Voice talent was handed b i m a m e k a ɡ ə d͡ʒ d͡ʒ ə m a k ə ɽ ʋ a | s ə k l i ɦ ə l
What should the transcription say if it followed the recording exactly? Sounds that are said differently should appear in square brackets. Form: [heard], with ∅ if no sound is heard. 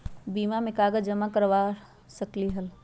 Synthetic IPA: b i m a m e k a ɡ ə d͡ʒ d͡ʒ ə m a k ə [ɾ] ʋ a | s ə k l i ɦ ə l

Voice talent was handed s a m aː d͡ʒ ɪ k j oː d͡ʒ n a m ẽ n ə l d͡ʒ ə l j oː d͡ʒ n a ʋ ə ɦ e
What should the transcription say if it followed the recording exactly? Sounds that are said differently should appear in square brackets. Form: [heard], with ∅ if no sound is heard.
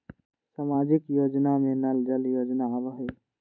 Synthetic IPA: s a m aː d͡ʒ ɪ k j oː d͡ʒ n a m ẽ n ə l d͡ʒ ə l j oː d͡ʒ n a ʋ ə ɦ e

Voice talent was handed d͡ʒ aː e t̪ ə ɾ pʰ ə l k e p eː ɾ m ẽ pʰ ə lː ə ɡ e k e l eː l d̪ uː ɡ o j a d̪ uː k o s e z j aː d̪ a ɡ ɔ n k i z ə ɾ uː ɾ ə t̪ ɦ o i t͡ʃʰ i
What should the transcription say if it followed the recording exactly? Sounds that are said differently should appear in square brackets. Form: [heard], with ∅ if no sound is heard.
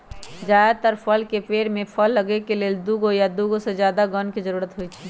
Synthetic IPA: d͡ʒ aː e t̪ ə ɾ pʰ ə l k e p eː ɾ m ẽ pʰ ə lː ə ɡ e k e l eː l d̪ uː ɡ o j a d̪ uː [ɡ] o s e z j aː d̪ a ɡ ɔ n k i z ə ɾ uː ɾ ə t̪ ɦ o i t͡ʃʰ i

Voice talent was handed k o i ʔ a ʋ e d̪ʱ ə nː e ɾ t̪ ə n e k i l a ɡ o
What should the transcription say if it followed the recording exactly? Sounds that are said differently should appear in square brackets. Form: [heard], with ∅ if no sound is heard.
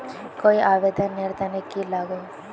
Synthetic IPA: k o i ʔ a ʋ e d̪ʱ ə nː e ɾ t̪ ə n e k i l a ɡ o

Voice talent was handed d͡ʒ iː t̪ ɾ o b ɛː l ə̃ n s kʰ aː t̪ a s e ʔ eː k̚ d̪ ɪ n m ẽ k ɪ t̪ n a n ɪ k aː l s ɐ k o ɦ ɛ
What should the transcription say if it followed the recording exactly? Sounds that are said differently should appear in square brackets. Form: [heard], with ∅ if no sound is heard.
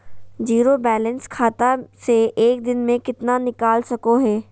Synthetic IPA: d͡ʒ iː [∅] ɾ o b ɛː l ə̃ n s kʰ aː t̪ a s e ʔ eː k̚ d̪ ɪ n m ẽ k ɪ t̪ n a n ɪ k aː l s ɐ k o ɦ [ɛː]

